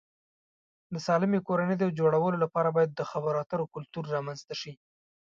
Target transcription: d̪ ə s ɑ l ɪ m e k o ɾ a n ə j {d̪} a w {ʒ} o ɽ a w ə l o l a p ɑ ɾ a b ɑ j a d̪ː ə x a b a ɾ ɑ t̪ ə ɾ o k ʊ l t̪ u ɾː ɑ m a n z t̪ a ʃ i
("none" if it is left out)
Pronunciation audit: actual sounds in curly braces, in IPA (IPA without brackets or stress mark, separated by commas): d̪, d͡ʒ